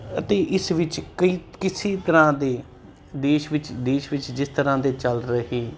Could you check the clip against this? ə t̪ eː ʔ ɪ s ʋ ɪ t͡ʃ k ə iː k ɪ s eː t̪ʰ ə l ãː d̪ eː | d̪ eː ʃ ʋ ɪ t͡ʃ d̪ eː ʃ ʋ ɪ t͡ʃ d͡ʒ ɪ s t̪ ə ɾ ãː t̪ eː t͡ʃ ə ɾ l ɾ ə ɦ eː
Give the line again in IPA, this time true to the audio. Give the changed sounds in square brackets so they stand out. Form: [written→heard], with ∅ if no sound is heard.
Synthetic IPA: ə t̪ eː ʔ ɪ s ʋ ɪ t͡ʃ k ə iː k ɪ s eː [t̪ʰ→t̪] ə [l→ɾ] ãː d̪ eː | d̪ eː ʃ ʋ ɪ t͡ʃ d̪ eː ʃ ʋ ɪ t͡ʃ d͡ʒ ɪ s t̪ ə ɾ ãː [t̪→d̪] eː t͡ʃ ə [ɾ→∅] l ɾ ə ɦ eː